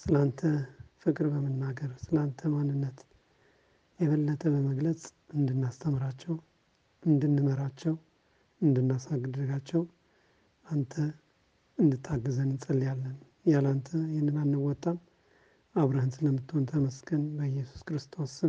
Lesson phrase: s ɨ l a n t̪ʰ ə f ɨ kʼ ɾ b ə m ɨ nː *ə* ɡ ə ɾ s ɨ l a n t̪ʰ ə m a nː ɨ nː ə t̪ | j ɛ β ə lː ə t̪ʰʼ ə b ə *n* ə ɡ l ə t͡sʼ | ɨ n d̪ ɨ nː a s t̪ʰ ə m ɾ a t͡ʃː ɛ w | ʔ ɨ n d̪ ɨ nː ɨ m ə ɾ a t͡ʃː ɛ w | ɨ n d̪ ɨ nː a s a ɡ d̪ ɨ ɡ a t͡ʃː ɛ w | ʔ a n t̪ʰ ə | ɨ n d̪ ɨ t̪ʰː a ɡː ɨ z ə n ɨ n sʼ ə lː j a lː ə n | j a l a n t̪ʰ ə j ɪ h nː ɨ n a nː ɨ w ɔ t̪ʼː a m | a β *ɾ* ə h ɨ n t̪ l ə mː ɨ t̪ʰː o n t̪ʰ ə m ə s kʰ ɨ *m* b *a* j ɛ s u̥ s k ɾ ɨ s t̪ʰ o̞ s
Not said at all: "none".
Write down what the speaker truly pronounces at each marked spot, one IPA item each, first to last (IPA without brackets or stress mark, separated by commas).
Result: a, m, ɾ, n, ə